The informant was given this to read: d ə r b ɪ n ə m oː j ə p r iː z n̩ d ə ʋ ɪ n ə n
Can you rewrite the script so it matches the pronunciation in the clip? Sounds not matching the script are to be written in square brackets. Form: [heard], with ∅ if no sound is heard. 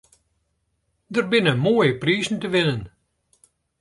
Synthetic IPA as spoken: d ə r b ɪ n ə m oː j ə p r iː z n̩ [t] ə ʋ ɪ n ə n